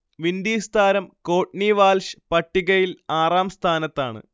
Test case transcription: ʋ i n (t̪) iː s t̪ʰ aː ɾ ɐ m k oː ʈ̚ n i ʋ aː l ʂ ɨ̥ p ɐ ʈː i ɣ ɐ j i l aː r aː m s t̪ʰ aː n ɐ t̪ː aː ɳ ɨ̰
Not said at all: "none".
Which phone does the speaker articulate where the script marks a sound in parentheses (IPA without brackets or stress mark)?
d̪